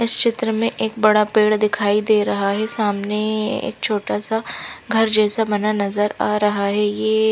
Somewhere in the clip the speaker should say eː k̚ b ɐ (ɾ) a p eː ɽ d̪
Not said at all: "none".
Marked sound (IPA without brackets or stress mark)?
ɽ